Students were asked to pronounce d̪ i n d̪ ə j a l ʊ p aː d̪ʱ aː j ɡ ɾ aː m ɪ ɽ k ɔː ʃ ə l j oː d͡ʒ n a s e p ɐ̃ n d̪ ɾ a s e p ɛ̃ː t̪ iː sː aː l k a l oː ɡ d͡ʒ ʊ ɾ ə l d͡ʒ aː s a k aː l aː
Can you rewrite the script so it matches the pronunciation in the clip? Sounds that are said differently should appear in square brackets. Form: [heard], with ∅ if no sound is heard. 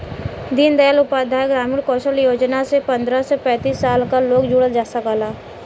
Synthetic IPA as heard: d̪ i n d̪ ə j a l ʊ p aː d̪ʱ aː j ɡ ɾ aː m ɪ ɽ k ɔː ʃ ə l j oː d͡ʒ n a s e p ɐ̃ n d̪ ɾ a s e p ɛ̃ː t̪ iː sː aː l k a l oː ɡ d͡ʒ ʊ [ɽ] ə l d͡ʒ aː s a k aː l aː